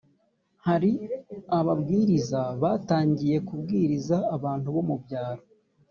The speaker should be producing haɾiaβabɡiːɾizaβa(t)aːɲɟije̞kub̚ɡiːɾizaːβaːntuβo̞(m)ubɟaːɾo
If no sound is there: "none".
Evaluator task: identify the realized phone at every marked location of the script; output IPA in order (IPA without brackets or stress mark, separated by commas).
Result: t, m